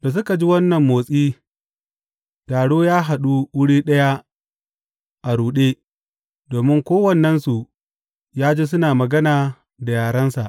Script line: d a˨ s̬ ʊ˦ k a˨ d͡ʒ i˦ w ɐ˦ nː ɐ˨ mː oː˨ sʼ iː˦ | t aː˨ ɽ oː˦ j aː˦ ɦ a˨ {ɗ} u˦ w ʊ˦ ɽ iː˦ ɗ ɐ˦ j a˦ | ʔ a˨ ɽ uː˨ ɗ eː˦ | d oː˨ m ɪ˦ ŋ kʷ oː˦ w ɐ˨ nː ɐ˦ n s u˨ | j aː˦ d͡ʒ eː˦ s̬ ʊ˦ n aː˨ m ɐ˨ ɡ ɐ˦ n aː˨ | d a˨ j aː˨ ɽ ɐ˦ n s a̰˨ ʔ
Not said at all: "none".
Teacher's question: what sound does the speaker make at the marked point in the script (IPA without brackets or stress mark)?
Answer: ɗ